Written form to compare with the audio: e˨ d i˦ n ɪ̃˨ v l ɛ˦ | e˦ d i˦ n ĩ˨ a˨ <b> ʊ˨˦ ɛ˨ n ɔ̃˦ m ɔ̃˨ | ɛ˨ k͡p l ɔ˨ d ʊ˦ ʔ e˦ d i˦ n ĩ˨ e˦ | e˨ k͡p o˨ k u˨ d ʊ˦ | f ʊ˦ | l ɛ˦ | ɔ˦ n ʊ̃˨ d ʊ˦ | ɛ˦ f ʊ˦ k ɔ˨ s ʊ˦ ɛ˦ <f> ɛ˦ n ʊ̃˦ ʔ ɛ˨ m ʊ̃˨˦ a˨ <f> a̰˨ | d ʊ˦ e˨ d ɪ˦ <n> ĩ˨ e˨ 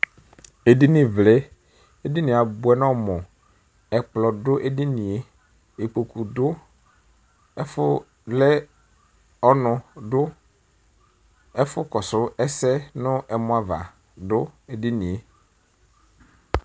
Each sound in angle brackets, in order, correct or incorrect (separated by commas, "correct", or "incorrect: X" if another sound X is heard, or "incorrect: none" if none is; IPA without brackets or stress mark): correct, incorrect: s, incorrect: v, correct